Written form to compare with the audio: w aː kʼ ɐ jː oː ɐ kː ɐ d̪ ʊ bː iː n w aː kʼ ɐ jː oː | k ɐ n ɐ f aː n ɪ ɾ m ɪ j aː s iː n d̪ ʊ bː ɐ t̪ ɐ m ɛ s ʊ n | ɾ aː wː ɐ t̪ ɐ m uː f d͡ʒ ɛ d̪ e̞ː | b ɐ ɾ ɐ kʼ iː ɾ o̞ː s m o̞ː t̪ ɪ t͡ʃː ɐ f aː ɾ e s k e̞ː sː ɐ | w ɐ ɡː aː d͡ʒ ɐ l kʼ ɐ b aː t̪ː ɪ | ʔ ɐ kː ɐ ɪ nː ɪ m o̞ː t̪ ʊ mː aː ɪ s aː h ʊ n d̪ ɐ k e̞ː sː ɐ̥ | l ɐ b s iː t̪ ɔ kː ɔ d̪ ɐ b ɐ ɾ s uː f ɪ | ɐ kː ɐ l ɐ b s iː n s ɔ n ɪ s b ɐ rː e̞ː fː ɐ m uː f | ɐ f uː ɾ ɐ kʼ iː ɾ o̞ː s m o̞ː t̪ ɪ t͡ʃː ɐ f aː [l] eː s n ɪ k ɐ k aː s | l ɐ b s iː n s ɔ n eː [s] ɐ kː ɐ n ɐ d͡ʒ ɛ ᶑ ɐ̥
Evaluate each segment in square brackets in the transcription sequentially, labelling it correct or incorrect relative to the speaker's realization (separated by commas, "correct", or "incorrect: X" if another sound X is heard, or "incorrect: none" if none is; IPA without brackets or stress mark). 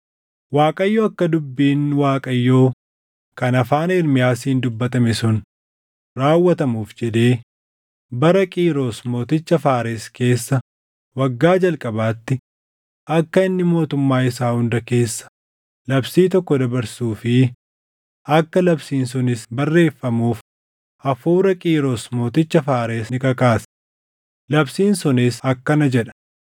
incorrect: ɾ, correct